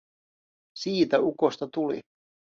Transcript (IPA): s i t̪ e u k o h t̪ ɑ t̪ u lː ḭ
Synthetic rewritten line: s iː t̪ æ u k o s t̪ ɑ t̪ u l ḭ